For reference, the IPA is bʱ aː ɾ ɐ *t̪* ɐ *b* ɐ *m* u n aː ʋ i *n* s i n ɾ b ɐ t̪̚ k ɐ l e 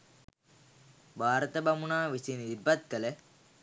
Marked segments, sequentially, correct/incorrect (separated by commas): correct, correct, correct, incorrect